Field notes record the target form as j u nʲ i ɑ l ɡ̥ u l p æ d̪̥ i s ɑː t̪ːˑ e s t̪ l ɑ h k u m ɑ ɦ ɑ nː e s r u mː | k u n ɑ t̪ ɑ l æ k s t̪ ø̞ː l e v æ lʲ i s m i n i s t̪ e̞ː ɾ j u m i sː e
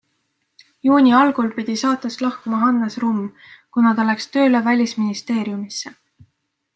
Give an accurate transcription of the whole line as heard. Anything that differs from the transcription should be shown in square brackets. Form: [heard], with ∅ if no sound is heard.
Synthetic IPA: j [uː] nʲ i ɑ l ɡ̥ u l p [i] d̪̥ i s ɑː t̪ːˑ e s t̪ l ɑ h k u m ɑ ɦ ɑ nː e s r u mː | k u n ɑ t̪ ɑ l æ k s t̪ ø̞ː l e v æ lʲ i s m i n i s t̪ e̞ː ɾ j u m i sː e